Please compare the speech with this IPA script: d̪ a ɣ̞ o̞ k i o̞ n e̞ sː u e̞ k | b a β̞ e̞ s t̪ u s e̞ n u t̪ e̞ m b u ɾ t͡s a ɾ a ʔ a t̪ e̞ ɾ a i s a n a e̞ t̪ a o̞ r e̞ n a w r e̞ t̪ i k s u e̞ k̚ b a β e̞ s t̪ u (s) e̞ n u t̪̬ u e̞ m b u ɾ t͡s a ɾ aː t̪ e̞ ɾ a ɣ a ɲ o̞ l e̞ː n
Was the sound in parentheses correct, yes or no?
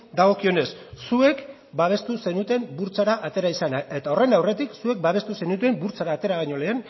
yes